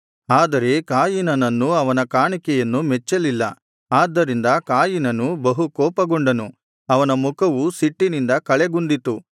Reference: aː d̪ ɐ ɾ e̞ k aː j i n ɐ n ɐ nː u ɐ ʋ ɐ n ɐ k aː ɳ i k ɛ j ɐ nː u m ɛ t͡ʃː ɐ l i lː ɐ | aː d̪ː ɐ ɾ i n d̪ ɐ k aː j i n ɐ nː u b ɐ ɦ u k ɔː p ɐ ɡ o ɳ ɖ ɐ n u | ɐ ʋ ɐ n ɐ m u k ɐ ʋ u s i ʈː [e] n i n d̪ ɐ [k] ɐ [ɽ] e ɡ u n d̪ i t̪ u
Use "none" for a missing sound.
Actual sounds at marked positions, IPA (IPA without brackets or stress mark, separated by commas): i, k, ɭ